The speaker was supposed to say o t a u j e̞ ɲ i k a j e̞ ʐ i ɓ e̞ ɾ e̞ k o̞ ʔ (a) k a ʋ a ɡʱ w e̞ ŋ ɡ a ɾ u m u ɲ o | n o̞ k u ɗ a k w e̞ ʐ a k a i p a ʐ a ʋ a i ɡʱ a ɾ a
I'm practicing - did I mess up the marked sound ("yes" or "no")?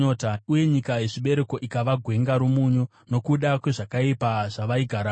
yes